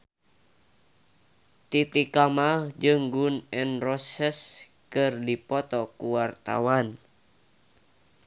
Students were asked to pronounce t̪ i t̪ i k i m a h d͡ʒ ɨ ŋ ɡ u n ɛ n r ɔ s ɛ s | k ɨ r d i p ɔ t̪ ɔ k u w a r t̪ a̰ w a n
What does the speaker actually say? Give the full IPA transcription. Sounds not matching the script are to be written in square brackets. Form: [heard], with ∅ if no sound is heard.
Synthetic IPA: t̪ i t̪ i k [a] m a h d͡ʒ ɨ ŋ ɡ u n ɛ n r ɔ s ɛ s | k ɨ r d i p ɔ t̪ ɔ k u w a r t̪ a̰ w a n